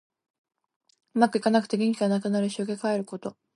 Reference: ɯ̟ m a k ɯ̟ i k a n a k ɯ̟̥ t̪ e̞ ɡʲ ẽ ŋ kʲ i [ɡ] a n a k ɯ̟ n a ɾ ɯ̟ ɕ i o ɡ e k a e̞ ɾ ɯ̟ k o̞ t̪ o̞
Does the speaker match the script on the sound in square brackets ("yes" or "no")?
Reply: yes